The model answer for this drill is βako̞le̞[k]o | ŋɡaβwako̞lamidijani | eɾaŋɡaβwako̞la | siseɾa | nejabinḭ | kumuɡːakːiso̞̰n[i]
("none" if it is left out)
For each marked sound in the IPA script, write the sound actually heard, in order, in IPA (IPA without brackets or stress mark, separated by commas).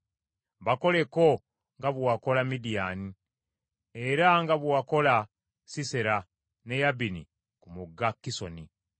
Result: k, i